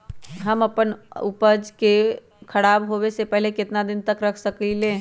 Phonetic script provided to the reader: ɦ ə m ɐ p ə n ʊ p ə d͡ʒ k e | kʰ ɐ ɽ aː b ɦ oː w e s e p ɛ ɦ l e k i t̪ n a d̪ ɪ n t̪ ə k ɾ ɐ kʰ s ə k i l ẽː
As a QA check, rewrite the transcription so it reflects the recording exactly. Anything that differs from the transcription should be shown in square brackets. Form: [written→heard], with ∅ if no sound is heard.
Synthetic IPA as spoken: ɦ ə m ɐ p ə n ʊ p ə d͡ʒ k e | kʰ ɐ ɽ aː b ɦ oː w e s e p ɛ ɦ l e k [i→ɪ] t̪ n a d̪ ɪ n t̪ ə k ɾ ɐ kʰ s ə k i l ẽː